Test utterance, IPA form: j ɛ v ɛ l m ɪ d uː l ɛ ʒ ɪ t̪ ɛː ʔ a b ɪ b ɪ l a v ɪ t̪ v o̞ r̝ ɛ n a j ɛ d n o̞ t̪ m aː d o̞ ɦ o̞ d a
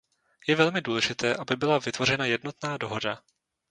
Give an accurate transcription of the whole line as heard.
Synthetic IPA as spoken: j ɛ v ɛ l m ɪ d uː l ɛ ʒ ɪ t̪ ɛː ʔ a b ɪ b ɪ l a v ɪ t̪ v o̞ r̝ ɛ n a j ɛ d n o̞ t̪ n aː d o̞ ɦ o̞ d a

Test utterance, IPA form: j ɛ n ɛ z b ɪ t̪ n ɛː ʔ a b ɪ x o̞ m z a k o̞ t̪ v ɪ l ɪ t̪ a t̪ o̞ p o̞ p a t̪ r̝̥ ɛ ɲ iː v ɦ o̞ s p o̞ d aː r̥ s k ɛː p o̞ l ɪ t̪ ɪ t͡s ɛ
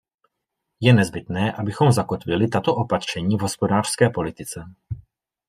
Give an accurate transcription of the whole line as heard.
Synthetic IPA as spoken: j ɛ n ɛ z b ɪ t̪ n ɛː ʔ a b ɪ x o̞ m z a k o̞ t̪ v ɪ l ɪ t̪ a t̪ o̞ ʔ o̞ p a t̪ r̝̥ ɛ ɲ iː v ɦ o̞ s p o̞ d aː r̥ s k ɛː p o̞ l ɪ t̪ ɪ t͡s ɛ

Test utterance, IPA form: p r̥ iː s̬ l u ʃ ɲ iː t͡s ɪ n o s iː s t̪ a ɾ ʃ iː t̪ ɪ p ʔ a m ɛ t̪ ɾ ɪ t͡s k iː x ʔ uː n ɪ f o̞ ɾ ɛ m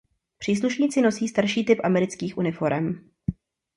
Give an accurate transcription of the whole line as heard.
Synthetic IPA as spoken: p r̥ iː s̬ l u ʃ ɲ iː t͡s ɪ n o s iː s t̪ a ɾ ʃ iː t̪ ɪ p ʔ a m ɛ ɾ ɪ t͡s k iː x ʔ u n ɪ f o̞ ɾ ɛ m

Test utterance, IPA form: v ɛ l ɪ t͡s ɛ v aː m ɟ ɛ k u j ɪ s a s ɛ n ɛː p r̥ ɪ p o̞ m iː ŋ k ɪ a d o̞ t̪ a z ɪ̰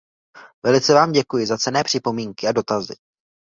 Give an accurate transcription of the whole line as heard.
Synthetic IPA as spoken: v ɛ l ɪ t͡s ɛ v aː m ɟ ɛ k u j ɪ z a t͡s ɛ n ɛː p r̥ ɪ p o̞ m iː ŋ k ɪ a d o̞ t̪ a z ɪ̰

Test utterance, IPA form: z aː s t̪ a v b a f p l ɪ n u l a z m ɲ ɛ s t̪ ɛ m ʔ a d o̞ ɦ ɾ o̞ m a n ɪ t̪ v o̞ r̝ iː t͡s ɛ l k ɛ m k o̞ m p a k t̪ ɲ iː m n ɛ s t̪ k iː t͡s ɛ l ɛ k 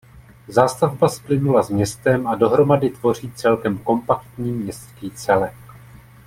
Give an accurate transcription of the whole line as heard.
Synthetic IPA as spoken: z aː s t̪ a v b a s p l ɪ n u l a z m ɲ ɛ s t̪ ɛ m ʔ a d o̞ ɦ ɾ o̞ m a d ɪ t̪ v o̞ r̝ iː t͡s ɛ l k ɛ m k o̞ m p a k t̪ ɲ iː m ɲ ɛ s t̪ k iː t͡s ɛ l ɛ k

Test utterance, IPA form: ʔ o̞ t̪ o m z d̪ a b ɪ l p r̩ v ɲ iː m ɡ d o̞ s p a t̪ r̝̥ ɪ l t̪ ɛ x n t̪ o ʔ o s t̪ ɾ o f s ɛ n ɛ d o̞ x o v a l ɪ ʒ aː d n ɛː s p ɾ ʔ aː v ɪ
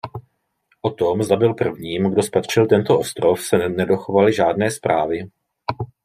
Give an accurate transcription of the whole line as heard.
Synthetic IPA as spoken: ʔ o̞ t̪ o m z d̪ a b ɪ l p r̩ v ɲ iː m ɡ d o̞ s p a t̪ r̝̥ ɪ l t̪ ɛ n t̪ o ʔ o s t̪ ɾ o f s ɛ n ɛ d o̞ x o v a l ɪ ʒ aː d n ɛː s p ɾ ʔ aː v ɪ

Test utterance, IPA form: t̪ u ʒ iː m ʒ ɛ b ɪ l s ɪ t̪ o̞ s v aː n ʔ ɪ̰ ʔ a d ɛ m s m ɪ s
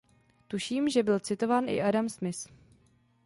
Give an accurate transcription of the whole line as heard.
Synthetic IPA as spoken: t̪ u ʃ iː m ʒ ɛ b ɪ l t͡s ɪ t̪ o̞ v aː n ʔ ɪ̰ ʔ a d a m s m ɪ s

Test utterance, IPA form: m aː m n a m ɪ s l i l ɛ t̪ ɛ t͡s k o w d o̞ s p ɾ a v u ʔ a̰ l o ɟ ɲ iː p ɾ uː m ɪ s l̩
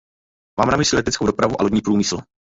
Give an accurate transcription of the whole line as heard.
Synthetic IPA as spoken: m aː m n a m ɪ s l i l ɛ t̪ ɛ t͡s k o w d o̞ p ɾ a v u ʔ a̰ l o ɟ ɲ iː p ɾ uː m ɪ s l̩

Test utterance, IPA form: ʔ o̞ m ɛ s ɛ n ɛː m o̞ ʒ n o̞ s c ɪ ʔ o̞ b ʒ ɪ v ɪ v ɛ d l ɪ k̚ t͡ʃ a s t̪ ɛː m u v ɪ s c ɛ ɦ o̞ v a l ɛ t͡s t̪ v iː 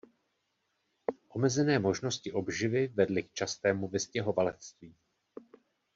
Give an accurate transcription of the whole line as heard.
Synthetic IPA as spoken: ʔ o̞ m ɛ z ɛ n ɛː m o̞ ʒ n o̞ s c ɪ ʔ o̞ b ʒ ɪ v ɪ v ɛ d l ɪ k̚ t͡ʃ a s t̪ ɛː m u v ɪ s c ɛ ɦ o̞ v a l ɛ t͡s t̪ v iː

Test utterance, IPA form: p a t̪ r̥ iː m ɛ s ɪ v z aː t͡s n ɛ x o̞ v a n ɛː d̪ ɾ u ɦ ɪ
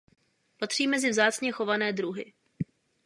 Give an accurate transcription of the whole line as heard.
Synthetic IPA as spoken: p a t̪ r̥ iː m ɛ z ɪ v z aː t͡s ɲ ɛ x o̞ v a n ɛː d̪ ɾ u ɦ ɪ

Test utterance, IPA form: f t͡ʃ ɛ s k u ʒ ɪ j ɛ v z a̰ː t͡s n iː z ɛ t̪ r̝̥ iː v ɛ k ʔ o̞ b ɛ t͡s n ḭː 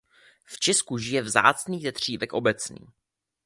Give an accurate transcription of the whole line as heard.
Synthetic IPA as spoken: f t͡ʃ ɛ s k u ʒ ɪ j ɛ v z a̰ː t͡s n iː z ɛ t̪ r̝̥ iː v ɛ k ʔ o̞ b ɛ t͡s n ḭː

